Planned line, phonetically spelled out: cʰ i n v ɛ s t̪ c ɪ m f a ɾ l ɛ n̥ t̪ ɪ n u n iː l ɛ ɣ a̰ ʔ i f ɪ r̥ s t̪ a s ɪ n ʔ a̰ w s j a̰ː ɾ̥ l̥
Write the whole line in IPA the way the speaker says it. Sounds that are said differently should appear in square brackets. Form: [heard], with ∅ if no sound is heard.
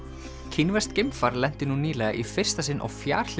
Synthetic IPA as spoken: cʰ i n v ɛ s t̪ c ɪ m f a ɾ l ɛ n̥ t̪ ɪ n u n iː l ɛ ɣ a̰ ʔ i f ɪ r̥ s t̪ a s ɪ n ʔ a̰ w [f] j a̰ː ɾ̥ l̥